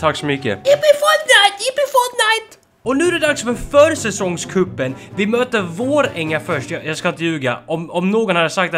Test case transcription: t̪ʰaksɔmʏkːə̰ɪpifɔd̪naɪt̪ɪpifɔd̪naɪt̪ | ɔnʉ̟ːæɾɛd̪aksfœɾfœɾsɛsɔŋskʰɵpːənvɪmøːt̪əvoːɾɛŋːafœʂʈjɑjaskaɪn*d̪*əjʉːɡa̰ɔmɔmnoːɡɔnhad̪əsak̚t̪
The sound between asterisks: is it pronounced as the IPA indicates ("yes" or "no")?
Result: no